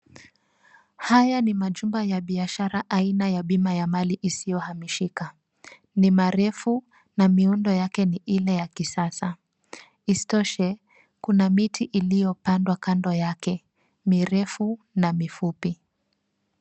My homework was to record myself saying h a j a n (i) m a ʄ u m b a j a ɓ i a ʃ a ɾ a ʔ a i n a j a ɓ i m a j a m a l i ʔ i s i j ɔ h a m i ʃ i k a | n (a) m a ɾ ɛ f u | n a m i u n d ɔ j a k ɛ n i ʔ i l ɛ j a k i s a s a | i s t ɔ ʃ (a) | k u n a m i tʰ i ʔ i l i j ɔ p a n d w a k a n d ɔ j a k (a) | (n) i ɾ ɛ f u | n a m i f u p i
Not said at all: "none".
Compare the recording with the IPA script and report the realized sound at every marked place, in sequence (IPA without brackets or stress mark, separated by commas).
i, i, ɛ, ɛ, m